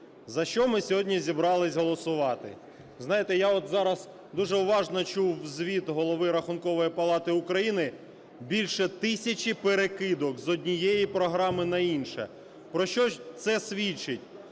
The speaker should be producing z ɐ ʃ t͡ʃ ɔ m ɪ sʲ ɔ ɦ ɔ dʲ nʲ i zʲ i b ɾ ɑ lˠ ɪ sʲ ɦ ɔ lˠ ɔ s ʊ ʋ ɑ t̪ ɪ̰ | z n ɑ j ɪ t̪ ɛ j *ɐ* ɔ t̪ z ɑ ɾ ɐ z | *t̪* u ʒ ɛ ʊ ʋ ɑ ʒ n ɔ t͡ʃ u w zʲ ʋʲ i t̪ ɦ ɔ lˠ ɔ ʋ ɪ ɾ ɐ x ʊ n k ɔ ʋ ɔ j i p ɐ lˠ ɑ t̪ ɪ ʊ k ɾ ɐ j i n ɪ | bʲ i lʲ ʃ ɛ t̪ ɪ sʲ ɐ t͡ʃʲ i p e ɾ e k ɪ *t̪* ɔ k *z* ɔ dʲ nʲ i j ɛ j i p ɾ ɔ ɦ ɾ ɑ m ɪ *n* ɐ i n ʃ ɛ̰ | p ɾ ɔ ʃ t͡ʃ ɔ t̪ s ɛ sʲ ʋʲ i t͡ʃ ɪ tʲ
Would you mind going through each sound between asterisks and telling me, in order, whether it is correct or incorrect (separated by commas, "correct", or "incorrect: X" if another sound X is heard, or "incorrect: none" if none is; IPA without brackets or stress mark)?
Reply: incorrect: a, incorrect: d̪, incorrect: d̪, correct, correct